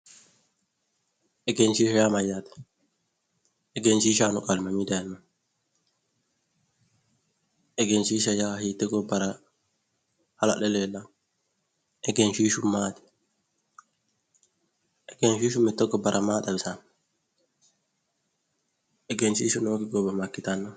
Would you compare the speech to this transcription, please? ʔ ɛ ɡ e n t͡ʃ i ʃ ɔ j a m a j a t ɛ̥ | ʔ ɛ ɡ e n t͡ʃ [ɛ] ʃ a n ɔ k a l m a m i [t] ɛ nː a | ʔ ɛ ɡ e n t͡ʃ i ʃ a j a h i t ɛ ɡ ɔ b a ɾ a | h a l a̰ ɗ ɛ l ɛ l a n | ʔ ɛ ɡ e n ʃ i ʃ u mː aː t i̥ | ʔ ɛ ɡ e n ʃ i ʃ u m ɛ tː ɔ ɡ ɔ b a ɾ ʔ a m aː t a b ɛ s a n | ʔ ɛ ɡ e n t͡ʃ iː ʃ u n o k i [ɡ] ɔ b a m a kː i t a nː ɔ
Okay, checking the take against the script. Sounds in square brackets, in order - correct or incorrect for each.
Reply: incorrect: i, incorrect: d, correct

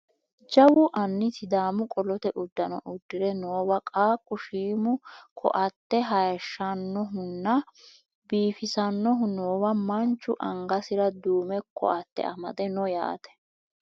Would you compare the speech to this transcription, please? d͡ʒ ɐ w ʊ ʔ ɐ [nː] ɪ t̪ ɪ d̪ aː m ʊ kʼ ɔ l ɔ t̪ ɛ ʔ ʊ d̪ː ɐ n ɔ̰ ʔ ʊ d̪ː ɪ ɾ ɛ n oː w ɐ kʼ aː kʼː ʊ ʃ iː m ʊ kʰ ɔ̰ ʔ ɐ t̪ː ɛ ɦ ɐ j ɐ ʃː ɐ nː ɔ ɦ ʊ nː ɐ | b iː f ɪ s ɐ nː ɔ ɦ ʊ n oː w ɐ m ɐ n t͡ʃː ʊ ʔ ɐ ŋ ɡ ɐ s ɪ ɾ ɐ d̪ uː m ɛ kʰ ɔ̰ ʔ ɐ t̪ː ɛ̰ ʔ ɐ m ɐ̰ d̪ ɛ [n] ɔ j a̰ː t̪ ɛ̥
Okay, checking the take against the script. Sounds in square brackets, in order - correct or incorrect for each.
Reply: correct, correct

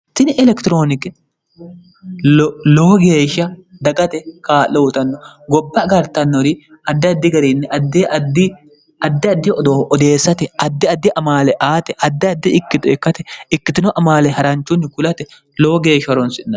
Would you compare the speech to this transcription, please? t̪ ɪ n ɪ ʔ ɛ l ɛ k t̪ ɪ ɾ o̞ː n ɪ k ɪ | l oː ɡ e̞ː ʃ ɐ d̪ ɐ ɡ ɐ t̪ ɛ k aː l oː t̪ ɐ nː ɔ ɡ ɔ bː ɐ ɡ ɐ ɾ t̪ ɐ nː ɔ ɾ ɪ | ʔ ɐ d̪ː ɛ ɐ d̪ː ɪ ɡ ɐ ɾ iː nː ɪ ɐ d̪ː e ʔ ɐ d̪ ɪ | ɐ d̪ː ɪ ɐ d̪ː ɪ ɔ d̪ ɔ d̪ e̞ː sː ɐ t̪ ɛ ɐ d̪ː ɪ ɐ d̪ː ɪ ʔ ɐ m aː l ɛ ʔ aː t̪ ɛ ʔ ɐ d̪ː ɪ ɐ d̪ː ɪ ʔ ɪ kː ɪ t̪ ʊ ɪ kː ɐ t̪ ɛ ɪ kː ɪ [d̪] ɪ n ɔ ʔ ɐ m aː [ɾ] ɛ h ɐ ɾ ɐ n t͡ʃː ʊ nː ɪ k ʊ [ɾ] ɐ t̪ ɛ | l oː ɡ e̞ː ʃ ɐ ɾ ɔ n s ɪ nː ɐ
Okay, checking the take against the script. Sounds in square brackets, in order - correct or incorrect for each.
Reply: incorrect: t̪, incorrect: l, incorrect: l

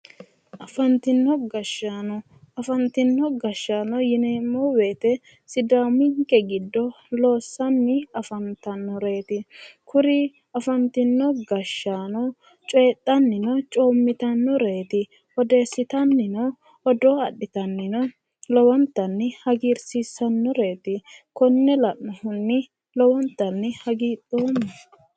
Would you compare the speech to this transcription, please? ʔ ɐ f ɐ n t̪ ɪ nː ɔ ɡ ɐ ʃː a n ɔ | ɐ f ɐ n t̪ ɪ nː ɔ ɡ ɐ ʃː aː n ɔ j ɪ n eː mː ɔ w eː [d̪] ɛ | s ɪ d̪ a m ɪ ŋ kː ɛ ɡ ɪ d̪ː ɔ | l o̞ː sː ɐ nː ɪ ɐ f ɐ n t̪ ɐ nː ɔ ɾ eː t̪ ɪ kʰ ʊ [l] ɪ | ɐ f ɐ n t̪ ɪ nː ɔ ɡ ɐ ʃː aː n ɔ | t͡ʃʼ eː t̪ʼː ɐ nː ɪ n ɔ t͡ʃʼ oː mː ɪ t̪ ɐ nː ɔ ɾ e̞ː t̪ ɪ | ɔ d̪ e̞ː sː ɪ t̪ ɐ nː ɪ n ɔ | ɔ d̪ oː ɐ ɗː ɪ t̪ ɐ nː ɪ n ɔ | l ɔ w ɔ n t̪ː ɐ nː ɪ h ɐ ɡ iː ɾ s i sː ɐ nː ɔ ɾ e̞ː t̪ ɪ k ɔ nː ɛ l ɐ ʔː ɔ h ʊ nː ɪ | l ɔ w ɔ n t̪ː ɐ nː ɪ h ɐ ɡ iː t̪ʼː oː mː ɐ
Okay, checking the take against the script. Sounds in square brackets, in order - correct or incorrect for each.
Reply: incorrect: t̪, incorrect: ɾ

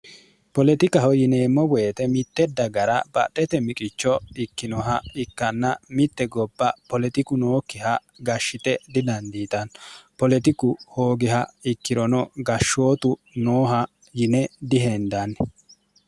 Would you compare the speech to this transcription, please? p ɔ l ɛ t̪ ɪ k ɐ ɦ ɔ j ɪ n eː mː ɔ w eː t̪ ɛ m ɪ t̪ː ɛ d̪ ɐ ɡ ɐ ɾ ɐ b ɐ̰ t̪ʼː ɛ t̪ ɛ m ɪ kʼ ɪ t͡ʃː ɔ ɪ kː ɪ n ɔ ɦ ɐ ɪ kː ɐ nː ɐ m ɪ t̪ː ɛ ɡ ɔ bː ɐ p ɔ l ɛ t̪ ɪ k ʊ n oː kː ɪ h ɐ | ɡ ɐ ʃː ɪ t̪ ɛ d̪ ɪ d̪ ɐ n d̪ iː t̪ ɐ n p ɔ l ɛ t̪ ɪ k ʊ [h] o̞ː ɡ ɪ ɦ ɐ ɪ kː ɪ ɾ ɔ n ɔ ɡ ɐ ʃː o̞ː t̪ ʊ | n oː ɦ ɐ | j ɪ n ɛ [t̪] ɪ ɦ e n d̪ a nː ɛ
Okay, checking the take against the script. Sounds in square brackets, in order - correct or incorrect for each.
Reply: correct, incorrect: d̪

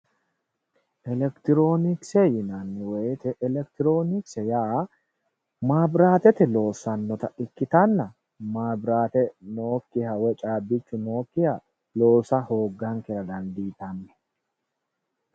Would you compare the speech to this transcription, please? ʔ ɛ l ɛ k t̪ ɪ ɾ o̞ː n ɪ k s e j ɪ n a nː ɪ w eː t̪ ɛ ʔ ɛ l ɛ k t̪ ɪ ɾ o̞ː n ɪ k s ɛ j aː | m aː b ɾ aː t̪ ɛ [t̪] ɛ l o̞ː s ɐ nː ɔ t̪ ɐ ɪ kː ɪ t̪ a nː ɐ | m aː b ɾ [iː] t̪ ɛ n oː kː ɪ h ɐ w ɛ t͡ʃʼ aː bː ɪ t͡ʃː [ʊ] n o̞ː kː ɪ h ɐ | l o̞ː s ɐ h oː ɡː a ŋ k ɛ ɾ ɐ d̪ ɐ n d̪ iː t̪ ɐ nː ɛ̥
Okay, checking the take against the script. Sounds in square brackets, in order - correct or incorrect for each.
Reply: correct, incorrect: aː, correct

